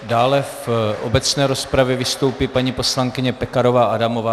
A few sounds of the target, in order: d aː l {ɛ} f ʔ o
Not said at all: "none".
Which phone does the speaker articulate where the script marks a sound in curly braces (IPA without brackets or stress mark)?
ɛ